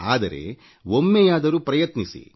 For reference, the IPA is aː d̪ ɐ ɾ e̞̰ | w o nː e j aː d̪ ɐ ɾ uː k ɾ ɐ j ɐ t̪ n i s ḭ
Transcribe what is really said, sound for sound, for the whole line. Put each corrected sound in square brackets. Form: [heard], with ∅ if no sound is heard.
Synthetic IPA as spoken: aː d̪ ɐ ɾ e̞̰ | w o [mː] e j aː d̪ ɐ ɾ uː [p] ɾ ɐ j ɐ t̪ n i s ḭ